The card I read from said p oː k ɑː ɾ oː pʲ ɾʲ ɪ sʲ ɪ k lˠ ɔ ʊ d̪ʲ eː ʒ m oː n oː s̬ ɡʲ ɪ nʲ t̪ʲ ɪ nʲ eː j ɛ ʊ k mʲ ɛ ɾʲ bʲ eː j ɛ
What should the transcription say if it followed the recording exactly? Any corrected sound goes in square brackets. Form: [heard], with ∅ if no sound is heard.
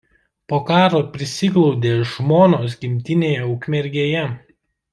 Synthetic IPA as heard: p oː k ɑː ɾ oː pʲ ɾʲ ɪ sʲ ɪ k lˠ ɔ ʊ d̪ʲ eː ʒ m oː n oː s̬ ɡʲ ɪ [mʲ] t̪ʲ ɪ nʲ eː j ɛ ʊ k mʲ ɛ ɾʲ [ɡʲ] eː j ɛ